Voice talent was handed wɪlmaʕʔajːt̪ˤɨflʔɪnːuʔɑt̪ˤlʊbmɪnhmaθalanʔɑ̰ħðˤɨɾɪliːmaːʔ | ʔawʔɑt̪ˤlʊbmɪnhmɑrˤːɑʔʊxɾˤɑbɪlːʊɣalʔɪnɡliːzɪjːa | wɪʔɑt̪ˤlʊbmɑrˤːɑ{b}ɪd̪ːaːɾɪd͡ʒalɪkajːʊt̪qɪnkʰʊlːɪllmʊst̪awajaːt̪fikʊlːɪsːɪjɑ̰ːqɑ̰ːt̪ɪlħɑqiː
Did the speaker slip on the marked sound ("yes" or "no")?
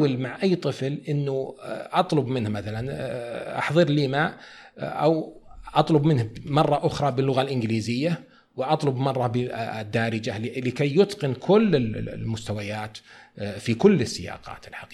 no